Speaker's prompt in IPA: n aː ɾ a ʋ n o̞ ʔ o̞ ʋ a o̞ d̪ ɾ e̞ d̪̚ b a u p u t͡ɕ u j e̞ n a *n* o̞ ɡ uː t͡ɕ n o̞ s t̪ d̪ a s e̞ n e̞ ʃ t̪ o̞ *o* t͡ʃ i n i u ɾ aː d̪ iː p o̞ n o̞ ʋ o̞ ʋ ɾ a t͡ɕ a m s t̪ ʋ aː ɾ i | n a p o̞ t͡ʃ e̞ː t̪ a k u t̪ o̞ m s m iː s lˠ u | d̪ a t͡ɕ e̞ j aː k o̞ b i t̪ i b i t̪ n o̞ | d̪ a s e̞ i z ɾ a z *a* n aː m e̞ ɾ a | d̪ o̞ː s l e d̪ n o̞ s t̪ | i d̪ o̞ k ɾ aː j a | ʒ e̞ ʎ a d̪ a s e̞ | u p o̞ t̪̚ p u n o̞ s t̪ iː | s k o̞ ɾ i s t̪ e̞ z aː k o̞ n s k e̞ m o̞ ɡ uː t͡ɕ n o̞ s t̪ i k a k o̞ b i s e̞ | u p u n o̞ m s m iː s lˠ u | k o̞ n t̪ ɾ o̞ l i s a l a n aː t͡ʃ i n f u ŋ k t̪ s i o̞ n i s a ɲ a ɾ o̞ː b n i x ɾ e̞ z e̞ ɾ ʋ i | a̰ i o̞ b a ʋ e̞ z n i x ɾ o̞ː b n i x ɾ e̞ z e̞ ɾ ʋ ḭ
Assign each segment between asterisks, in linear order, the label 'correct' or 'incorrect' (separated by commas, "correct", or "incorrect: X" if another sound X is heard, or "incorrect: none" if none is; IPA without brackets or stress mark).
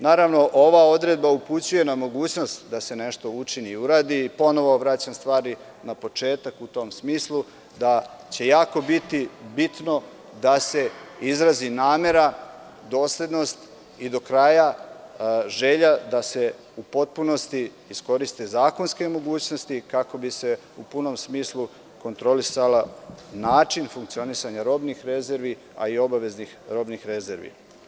incorrect: m, incorrect: u, incorrect: i